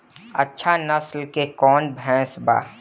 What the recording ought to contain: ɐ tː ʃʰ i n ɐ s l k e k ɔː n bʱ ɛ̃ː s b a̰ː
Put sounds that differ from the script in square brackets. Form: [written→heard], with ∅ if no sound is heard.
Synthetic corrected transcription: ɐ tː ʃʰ [i→a] n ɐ s l k e k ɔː n bʱ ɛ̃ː s b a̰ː

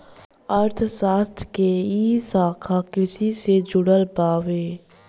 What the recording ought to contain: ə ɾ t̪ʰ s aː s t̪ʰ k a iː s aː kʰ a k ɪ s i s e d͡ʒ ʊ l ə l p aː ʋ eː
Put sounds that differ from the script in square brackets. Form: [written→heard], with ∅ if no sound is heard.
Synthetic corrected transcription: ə ɾ t̪ʰ s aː s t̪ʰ k [a→e] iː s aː kʰ a k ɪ s i s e d͡ʒ ʊ [l→ɽ] ə l p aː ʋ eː

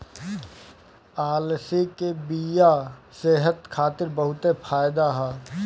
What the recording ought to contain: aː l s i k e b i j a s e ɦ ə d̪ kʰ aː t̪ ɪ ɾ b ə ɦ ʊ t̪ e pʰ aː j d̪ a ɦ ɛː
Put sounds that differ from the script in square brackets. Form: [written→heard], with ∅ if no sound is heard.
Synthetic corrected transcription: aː l s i k e b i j a s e ɦ ə [d̪→t̪] kʰ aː t̪ ɪ ɾ b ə ɦ ʊ t̪ e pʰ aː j d̪ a ɦ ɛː

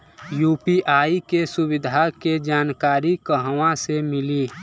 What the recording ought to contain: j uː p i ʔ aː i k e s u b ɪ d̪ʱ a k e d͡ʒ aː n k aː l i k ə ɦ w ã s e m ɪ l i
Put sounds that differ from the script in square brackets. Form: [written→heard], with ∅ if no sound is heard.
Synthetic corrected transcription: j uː p i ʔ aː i k e s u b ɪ d̪ʱ a k e d͡ʒ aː n k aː [l→ɾ] i k ə ɦ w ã s e m ɪ l i

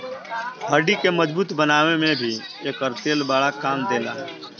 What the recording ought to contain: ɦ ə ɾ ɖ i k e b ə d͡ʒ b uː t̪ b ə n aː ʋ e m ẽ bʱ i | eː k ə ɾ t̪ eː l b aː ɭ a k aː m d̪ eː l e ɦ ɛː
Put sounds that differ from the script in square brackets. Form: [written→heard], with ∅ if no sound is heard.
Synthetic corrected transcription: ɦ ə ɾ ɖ i k e [b→m] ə d͡ʒ b uː t̪ b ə n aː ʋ e m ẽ bʱ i | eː k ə ɾ t̪ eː l b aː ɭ a k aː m d̪ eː l [e→a] ɦ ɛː

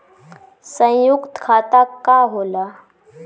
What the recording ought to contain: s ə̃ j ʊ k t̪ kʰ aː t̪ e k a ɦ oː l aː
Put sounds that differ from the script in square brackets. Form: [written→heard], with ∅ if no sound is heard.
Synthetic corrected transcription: s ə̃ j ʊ k t̪ kʰ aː t̪ [e→a] k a ɦ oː l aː

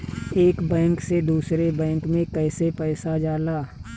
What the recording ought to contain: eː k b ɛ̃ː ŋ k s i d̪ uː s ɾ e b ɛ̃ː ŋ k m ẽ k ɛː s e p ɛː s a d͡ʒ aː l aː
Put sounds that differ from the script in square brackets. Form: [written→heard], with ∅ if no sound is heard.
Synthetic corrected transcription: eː k b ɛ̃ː ŋ k s [i→e] d̪ uː s ɾ e b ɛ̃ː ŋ k m ẽ k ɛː s e p ɛː s a d͡ʒ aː l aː

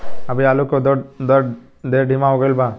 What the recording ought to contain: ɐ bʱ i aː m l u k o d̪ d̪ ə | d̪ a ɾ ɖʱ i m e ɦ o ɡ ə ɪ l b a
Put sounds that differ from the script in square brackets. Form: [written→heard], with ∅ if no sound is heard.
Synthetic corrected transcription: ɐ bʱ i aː [m→∅] l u k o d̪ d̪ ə | d̪ [a→e] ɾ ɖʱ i m [e→a] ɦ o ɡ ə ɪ l b a

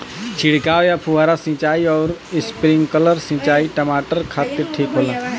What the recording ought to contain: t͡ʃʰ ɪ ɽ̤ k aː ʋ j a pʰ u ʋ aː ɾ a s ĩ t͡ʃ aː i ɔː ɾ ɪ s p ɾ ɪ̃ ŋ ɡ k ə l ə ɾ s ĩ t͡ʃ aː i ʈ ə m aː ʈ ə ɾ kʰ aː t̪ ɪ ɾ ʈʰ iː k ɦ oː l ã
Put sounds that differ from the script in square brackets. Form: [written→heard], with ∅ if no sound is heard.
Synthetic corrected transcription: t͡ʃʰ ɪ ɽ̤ k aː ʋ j a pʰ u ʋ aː ɾ a s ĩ t͡ʃ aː i ɔː ɾ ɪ s p ɾ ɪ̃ ŋ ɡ k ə l ə ɾ s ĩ t͡ʃ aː i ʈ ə m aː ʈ ə ɾ kʰ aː t̪ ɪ ɾ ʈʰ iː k ɦ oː l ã

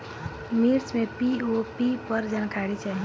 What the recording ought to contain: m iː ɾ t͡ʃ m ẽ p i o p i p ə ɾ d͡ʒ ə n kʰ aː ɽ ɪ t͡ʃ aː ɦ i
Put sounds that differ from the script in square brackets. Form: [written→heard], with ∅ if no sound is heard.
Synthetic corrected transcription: m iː ɾ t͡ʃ m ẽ p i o p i p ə ɾ d͡ʒ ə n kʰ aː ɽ [ɪ→i] t͡ʃ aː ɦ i

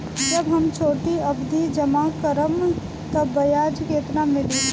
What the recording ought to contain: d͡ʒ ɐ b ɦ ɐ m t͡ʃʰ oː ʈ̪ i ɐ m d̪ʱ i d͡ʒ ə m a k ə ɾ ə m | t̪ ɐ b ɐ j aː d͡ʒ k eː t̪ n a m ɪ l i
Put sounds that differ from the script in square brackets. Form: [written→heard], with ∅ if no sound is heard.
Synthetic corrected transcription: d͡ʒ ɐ b ɦ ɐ m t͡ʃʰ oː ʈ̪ i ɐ [m→b] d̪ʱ i d͡ʒ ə m a k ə ɾ ə m | t̪ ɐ b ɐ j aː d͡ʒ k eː t̪ n a m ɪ l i

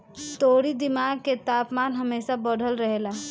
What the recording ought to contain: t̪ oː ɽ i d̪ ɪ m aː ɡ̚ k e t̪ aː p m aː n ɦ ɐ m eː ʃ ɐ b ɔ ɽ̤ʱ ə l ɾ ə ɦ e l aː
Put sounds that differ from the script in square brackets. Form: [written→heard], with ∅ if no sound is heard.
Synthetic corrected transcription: t̪ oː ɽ i d̪ ɪ m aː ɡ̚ k e t̪ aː p m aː n ɦ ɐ m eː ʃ [ɐ→a] b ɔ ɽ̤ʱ ə l ɾ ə ɦ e l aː

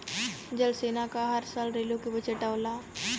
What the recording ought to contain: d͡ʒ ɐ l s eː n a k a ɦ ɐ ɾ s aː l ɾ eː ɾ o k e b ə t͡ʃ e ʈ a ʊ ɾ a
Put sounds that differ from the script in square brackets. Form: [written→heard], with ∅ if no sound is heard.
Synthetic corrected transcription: d͡ʒ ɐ l s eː n a k a ɦ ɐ ɾ s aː l ɾ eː [ɾ→l] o k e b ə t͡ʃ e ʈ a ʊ [ɾ→l] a

